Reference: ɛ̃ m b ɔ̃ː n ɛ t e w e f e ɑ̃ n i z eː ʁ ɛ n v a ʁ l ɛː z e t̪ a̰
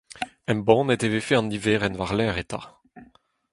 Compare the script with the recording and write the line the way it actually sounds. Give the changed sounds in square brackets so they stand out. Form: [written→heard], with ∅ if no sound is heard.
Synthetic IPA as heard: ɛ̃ m b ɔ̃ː n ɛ t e [w→v] e f e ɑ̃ n i [z→v] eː ʁ ɛ n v a ʁ l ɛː [z→ʁ] e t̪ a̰